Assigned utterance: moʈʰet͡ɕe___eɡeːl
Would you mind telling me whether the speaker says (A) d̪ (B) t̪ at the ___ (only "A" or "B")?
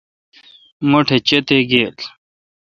B